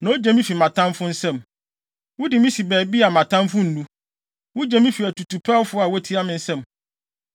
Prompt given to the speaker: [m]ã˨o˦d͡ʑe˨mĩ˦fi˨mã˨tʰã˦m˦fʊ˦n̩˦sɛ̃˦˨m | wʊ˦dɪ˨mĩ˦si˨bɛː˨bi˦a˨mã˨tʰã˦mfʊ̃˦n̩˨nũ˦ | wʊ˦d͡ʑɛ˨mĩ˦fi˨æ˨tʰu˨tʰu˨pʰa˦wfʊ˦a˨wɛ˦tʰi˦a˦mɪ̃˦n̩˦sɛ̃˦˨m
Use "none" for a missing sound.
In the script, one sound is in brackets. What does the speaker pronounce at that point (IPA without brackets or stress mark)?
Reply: n